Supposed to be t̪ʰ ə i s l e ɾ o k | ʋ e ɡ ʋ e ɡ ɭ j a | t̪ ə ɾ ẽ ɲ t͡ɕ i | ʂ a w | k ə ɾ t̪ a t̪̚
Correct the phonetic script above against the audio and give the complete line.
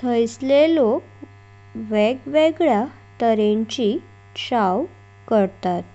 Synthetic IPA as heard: t̪ʰ ə j s l e l o k | ʋ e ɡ ʋ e ɡ ɭ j a | t̪ ə ɾ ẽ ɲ t͡ɕ i | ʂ a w | k ə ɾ t̪ a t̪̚

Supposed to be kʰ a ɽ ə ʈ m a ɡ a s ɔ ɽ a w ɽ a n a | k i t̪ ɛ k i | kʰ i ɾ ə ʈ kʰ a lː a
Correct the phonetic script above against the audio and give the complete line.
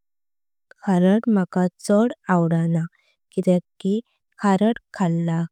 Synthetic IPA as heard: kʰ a ɾ ə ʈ m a k a t͡s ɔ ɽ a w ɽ a n a | k i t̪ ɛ k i | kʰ a ɾ ə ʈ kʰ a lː a

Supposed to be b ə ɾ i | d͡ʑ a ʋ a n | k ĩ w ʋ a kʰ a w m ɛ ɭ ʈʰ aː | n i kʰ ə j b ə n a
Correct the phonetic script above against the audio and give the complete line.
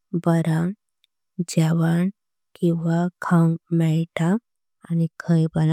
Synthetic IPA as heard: b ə ɾ a | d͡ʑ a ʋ a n | k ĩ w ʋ a kʰ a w m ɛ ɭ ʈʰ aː | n i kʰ ə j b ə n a

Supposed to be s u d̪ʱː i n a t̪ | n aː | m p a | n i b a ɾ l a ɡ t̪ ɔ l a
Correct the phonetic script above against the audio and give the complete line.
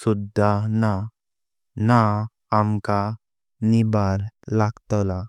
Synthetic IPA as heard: s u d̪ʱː a n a | n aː | m k a | n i b a ɾ l a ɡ t̪ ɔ l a

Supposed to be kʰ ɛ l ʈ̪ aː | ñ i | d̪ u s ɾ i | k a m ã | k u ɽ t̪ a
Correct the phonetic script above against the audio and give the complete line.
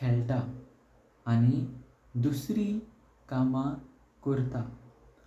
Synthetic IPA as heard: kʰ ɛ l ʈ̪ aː | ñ i | d̪ u s ɾ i | k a m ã | k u ɾ t̪ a

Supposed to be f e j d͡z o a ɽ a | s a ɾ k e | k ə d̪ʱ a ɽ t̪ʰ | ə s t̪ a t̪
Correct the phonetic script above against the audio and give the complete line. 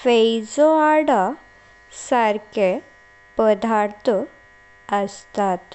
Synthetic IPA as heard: f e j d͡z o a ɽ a | s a ɾ k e | p ə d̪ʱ a ɾ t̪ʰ | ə s t̪ a t̪

